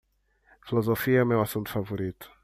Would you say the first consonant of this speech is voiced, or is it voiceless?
voiceless